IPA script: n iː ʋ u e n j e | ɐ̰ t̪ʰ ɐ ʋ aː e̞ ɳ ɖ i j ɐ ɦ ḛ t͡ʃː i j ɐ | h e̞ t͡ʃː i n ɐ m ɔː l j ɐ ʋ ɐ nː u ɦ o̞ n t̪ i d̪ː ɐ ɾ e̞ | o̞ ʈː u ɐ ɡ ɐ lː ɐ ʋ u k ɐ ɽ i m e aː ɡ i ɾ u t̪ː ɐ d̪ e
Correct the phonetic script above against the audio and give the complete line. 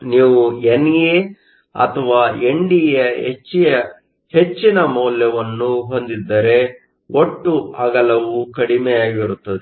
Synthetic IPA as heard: n iː ʋ u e n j e | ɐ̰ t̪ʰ ɐ ʋ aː e̞ ɳ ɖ i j ɐ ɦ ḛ t͡ʃː i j ɐ | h e̞ t͡ʃː i n ɐ m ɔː l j ɐ ʋ ɐ nː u ɦ o̞ n d̪ i d̪ː ɐ ɾ e̞ | o̞ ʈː u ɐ ɡ ɐ l ɐ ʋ u k ɐ ɽ i m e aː ɡ i ɾ u t̪ː ɐ d̪ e